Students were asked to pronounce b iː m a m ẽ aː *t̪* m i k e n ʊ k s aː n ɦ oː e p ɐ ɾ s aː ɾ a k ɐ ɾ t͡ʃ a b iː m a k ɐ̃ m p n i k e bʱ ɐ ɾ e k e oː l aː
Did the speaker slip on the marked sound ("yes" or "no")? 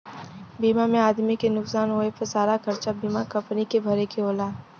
yes